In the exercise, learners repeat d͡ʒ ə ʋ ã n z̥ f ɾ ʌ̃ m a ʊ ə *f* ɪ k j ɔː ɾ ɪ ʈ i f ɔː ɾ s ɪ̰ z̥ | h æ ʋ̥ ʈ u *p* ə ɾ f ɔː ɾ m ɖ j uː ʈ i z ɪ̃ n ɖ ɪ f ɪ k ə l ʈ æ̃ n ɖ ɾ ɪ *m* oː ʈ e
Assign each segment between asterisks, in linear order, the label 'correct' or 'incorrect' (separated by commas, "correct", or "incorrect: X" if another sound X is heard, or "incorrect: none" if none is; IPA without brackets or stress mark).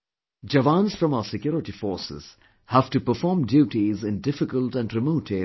incorrect: s, correct, correct